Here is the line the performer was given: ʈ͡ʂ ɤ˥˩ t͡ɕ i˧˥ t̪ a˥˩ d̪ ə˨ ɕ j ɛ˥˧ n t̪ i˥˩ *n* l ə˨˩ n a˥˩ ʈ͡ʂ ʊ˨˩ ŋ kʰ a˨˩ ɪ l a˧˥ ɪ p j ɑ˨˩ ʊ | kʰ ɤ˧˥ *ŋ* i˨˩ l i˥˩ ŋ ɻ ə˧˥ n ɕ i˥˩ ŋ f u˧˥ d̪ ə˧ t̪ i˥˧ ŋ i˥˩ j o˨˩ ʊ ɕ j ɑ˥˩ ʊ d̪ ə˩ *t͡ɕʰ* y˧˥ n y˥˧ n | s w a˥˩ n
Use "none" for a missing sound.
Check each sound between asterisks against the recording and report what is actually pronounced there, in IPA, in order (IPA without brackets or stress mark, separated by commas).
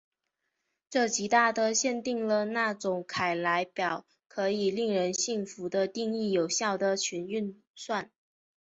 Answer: ŋ, none, t͡ɕʰ